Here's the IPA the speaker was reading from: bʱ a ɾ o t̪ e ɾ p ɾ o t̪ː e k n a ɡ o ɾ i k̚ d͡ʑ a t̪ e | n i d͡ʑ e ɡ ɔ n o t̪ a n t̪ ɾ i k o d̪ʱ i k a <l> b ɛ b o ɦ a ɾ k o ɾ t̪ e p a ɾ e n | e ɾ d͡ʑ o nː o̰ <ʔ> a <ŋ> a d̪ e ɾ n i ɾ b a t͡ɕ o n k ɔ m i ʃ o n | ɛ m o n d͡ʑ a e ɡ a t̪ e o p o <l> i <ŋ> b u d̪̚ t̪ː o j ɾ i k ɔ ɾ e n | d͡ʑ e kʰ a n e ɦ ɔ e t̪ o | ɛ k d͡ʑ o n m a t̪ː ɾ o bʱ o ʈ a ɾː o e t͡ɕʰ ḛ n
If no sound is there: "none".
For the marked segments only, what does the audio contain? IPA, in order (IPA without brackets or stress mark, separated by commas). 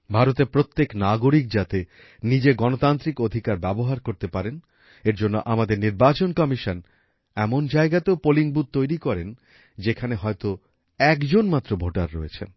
ɾ, ʔ, m, l, ŋ